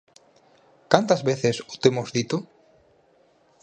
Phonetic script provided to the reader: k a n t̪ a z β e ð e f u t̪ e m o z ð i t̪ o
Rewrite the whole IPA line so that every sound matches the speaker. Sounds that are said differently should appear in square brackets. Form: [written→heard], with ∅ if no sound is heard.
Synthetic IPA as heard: k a n t̪ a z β e [ð→θ] e [f→s] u t̪ e m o z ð i t̪ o